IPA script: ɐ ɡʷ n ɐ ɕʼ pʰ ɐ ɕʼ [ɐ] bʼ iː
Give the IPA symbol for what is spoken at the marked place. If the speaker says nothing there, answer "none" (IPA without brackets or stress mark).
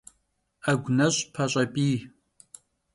ɐ